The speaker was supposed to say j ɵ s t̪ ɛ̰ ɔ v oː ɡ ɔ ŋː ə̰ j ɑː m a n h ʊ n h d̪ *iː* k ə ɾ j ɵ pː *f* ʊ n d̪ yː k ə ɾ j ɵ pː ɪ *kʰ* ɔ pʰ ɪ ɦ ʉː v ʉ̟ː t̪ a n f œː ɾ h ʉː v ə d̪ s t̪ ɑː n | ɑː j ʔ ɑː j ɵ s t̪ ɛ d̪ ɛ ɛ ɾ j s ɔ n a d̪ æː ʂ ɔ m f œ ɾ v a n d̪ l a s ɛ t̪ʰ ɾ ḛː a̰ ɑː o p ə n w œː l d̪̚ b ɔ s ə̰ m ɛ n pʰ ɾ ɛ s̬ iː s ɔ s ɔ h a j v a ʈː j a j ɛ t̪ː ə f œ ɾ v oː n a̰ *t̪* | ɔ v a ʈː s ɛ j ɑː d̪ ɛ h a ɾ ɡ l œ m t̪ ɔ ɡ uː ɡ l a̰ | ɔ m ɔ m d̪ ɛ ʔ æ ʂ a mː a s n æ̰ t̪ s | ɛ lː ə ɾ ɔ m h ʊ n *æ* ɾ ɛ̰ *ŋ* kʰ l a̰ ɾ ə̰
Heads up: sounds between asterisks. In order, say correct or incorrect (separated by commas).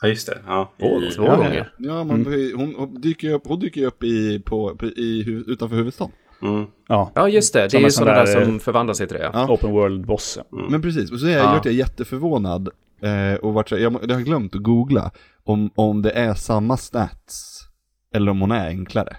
incorrect, incorrect, incorrect, incorrect, correct, correct